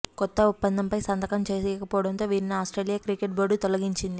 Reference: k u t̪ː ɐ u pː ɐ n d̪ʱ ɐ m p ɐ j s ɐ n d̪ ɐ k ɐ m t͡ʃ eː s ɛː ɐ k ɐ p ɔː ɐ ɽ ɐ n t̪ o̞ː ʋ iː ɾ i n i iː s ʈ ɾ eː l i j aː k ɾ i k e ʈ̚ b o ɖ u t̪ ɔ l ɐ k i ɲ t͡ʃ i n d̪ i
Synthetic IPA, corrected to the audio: k ɔ t̪ː ɐ u pː ɐ n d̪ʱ ɐ m p ɐ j s ɐ n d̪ ɐ k ɐ m t͡ʃ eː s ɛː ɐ k ɐ p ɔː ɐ ɽ ɐ n t̪ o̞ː ʋ iː ɾ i n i aː s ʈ ɾ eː l i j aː k ɾ i k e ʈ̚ b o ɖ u t̪ ɔ l ɐ ɡ i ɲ t͡ʃ i n d̪ i